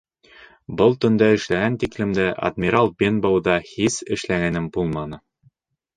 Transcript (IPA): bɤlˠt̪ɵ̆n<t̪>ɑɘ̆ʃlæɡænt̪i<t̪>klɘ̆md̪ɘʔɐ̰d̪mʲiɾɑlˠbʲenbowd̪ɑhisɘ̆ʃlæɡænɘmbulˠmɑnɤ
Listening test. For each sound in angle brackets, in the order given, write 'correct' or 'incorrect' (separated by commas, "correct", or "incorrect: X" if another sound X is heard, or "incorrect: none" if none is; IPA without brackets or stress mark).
incorrect: d̪, incorrect: none